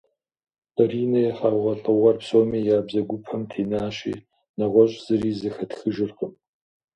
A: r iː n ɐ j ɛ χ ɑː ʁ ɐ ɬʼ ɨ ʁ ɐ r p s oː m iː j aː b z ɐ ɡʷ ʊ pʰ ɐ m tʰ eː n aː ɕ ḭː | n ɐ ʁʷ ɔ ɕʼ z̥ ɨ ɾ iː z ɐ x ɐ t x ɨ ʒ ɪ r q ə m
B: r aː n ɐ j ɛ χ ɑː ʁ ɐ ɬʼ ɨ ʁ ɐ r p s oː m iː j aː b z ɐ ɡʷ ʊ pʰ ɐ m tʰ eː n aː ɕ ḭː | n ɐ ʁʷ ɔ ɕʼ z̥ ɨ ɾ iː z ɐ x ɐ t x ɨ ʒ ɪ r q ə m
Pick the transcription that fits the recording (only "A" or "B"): A